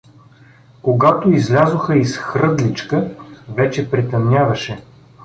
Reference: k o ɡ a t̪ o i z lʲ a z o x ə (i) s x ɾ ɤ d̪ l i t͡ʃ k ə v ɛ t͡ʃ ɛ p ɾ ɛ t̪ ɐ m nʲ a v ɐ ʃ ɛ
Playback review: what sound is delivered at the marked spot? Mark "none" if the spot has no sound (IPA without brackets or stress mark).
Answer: i